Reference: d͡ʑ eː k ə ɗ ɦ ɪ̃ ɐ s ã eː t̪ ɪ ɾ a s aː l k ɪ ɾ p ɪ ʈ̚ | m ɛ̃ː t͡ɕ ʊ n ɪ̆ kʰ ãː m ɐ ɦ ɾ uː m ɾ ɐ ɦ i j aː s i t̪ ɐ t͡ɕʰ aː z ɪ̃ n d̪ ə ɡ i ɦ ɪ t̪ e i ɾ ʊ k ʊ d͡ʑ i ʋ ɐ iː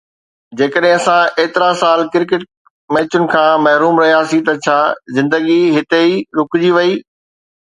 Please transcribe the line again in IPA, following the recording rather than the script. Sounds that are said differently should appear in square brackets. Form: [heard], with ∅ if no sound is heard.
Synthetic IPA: d͡ʑ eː k ə ɗ ɦ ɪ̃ ɐ s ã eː t̪ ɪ ɾ a s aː l k ɪ ɾ [k] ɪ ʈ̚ | m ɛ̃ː t͡ɕ ʊ n ɪ̆ kʰ ãː m ɐ ɦ ɾ uː m ɾ ɐ ɦ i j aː s i t̪ ɐ t͡ɕʰ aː z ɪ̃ n d̪ ə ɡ i ɦ ɪ t̪ e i ɾ ʊ k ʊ d͡ʑ i ʋ ɐ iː